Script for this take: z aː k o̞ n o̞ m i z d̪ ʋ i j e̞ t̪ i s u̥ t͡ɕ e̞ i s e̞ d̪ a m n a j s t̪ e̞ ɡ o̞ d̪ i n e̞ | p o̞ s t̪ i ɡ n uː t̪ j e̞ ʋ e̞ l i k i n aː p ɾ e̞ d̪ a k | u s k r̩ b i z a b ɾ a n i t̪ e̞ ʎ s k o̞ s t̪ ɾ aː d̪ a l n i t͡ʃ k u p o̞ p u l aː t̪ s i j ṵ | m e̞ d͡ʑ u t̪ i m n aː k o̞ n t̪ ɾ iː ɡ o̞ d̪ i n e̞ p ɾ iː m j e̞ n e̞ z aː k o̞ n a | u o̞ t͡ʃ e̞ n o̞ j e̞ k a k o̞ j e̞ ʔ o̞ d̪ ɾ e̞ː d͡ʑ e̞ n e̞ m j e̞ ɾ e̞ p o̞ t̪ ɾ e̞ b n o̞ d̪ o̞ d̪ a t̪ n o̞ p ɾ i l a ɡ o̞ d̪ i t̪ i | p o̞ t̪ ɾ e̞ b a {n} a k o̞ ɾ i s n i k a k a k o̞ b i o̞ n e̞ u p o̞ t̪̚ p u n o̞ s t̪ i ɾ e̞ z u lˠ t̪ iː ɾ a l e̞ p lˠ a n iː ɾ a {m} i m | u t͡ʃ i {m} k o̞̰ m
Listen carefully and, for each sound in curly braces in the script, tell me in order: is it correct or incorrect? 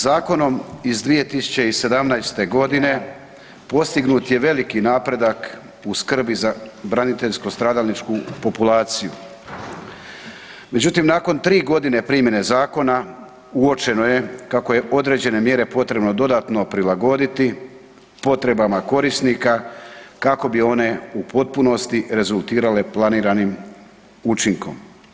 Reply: incorrect: m, incorrect: n, incorrect: ŋ

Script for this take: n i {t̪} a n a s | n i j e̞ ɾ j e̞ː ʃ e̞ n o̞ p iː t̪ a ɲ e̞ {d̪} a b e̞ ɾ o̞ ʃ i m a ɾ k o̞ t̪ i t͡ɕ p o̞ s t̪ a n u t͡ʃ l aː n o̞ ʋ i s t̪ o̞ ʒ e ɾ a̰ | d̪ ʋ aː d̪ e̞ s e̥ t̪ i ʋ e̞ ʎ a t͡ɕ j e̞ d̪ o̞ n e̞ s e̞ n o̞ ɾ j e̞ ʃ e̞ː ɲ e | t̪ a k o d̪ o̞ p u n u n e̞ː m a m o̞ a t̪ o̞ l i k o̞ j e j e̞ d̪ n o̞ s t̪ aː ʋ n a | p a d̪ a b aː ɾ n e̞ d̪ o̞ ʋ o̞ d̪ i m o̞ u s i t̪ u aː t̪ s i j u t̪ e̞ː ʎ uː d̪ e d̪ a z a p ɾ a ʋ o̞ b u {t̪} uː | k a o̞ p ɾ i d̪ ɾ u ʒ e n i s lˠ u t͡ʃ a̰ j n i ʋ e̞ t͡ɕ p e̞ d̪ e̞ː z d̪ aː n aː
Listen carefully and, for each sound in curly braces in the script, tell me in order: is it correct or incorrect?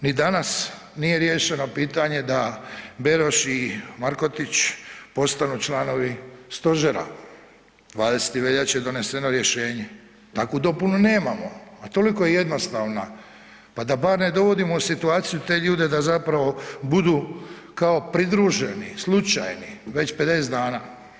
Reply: incorrect: d̪, correct, incorrect: d̪

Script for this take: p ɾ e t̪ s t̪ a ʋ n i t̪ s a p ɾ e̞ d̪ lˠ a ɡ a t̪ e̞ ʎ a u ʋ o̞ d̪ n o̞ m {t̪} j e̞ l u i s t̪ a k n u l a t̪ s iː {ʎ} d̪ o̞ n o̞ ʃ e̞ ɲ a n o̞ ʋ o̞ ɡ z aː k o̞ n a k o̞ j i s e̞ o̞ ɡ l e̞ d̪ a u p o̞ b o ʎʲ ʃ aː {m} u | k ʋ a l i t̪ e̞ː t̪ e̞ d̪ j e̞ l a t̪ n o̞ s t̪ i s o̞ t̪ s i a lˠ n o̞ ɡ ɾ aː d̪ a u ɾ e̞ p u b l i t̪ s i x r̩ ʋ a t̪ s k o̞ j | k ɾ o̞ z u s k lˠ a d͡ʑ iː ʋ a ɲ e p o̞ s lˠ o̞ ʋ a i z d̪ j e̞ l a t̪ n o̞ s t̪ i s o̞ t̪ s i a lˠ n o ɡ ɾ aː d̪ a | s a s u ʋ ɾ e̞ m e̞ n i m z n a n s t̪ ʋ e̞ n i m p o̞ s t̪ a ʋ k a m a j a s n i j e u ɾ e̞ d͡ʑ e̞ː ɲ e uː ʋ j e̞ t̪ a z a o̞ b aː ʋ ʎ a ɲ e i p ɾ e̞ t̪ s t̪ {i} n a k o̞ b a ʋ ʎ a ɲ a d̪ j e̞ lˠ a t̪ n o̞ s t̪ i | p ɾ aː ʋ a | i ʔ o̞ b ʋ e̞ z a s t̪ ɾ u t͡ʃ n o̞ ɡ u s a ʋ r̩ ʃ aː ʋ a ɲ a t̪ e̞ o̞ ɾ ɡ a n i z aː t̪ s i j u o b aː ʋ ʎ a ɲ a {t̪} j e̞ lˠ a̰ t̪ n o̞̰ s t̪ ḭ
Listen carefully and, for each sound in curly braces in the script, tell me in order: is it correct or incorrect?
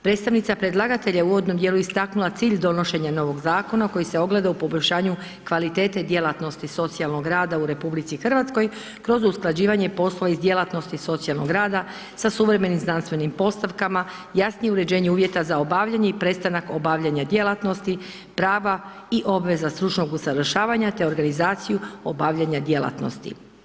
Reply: incorrect: d̪, correct, incorrect: ɲ, incorrect: a, incorrect: d̪

